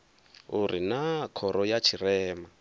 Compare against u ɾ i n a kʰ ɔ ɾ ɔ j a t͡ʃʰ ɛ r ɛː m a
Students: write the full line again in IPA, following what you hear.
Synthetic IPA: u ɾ i n a kʰ ɔ ɾ ɔ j a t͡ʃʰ i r ɛː m a